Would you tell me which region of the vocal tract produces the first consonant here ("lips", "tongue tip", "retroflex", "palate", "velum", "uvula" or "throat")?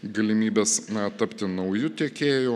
velum